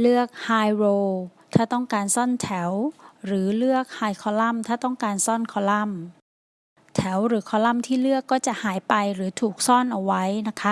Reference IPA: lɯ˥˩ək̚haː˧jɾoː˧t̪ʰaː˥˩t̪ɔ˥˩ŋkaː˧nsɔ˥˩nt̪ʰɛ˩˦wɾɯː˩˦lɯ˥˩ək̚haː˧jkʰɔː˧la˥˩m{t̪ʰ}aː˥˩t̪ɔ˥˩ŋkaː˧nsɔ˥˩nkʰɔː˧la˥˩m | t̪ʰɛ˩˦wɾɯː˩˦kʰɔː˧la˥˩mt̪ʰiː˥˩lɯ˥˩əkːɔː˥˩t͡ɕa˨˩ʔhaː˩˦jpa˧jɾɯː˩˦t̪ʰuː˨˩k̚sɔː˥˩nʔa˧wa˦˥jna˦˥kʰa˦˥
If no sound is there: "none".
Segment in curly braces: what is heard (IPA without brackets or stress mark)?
t̪ʰ